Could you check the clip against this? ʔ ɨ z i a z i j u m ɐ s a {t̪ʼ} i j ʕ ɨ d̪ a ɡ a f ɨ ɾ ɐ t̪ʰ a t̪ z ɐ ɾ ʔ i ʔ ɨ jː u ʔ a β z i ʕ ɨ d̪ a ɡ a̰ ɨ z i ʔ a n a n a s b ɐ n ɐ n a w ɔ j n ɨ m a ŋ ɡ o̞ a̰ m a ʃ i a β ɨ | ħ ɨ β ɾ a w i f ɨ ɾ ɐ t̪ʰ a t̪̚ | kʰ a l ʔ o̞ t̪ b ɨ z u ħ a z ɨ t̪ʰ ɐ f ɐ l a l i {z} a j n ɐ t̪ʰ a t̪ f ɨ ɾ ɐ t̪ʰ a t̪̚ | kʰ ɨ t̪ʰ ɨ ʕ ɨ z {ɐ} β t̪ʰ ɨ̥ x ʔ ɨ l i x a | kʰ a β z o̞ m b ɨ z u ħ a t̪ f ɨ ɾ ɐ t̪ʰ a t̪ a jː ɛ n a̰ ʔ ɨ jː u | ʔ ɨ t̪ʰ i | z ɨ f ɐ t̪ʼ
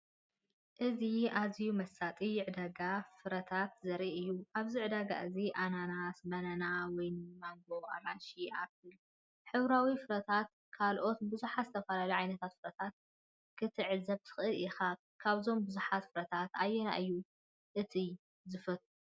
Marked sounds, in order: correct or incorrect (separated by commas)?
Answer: correct, incorrect, correct